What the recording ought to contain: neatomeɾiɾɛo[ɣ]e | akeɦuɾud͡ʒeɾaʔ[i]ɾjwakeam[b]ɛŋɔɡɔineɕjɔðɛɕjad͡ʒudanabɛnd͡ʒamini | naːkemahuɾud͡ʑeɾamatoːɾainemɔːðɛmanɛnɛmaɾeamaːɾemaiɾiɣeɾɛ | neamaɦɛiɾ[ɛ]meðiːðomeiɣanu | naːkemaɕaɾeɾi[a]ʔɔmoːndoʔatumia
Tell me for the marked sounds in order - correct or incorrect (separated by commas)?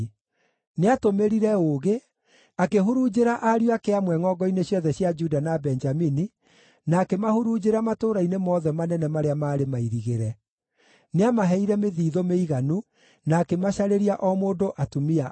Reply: correct, incorrect, incorrect, correct, correct